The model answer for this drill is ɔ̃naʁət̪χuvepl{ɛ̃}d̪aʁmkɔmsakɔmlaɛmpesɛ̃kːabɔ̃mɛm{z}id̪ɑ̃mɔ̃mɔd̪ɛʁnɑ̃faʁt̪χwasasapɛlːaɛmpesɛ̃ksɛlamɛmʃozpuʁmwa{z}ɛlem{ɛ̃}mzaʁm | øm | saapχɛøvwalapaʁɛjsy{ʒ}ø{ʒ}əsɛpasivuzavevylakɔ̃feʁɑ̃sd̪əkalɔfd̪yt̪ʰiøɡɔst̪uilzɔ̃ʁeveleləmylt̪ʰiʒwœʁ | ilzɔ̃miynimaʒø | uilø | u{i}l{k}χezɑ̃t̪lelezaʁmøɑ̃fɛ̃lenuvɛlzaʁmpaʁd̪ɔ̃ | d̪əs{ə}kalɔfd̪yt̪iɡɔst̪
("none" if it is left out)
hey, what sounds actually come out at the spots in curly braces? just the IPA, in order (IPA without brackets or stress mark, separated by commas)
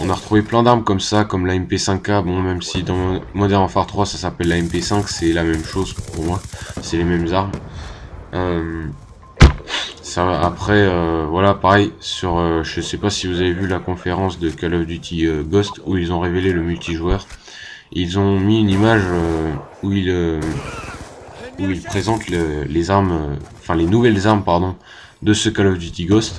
ɛ̃, s, s, ɛ, ʁ, ʒ, i, p, ə